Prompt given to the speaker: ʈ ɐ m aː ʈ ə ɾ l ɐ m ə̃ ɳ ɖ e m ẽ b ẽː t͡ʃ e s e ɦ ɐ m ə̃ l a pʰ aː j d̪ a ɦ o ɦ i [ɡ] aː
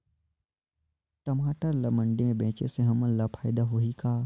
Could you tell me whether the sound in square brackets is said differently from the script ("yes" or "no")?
yes